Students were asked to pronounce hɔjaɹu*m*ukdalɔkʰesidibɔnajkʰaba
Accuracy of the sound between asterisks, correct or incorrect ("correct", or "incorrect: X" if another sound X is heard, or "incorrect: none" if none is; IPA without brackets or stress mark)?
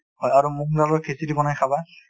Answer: correct